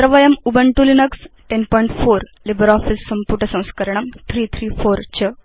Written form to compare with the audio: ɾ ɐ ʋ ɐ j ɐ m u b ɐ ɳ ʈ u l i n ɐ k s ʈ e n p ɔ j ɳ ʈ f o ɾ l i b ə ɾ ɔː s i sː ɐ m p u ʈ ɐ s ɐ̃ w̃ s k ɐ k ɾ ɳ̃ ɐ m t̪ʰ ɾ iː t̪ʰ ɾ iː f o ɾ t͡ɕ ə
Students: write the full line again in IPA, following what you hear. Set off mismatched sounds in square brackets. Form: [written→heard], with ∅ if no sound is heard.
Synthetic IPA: ɾ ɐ ʋ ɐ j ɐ m u b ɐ ɳ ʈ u l i n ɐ k s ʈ e n p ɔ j ɳ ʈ f o ɾ l i b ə ɾ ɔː [s→f] i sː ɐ m p u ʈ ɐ s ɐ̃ w̃ s k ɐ [k→∅] ɾ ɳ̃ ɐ m t̪ʰ ɾ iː t̪ʰ ɾ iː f o ɾ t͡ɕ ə